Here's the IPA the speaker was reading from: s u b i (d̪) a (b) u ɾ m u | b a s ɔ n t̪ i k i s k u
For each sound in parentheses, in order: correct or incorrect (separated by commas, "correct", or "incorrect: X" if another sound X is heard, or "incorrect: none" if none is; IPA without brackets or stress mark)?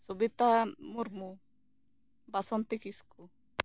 incorrect: t̪, incorrect: m